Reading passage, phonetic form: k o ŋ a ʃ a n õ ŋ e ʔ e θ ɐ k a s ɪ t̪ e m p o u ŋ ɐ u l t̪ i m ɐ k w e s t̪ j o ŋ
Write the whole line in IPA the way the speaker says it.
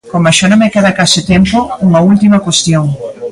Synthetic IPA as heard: k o m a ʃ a n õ m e k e ð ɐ k a s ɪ t̪ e m p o u ŋ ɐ u l t̪ i m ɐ k w e s t̪ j o ŋ